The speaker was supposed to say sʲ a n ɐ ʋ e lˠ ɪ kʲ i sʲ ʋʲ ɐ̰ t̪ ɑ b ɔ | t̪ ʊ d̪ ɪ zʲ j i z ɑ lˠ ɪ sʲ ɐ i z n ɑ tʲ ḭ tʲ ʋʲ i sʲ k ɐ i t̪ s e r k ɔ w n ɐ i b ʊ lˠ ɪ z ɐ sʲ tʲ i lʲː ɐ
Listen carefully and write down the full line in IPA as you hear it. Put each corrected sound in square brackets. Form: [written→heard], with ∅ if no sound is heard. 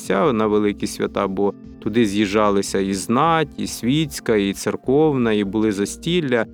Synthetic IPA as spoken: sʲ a n ɐ ʋ e lˠ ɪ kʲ i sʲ ʋʲ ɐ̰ t̪ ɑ b ɔ | t̪ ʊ d̪ ɪ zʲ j i [z→ʒ] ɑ lˠ ɪ sʲ ɐ i z n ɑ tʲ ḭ [tʲ→sʲ] ʋʲ i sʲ k ɐ i t̪ s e r k ɔ w n ɐ i b ʊ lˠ ɪ z ɐ sʲ tʲ i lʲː ɐ